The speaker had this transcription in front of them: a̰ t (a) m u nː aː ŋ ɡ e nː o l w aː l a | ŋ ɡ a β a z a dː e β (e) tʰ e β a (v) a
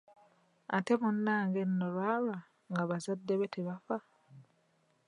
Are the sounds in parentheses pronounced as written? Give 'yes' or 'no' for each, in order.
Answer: no, yes, no

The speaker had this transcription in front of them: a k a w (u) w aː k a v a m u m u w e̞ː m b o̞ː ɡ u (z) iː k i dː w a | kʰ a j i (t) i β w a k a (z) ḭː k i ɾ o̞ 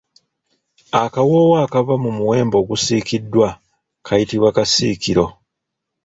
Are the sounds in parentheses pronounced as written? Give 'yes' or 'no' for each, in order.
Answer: no, no, yes, no

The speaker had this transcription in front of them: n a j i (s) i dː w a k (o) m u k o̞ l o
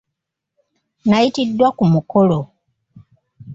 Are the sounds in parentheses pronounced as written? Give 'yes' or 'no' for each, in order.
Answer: no, no

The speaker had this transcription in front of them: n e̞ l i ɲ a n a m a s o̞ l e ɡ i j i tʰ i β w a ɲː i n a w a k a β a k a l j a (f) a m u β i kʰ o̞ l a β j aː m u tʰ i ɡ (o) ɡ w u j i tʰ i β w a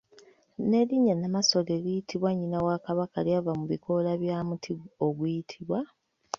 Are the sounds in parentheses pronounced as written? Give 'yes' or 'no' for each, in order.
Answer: no, yes

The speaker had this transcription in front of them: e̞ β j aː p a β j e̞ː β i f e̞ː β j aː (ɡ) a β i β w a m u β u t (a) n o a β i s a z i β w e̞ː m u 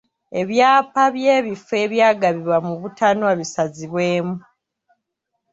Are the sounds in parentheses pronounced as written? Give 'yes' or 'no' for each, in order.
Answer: yes, yes

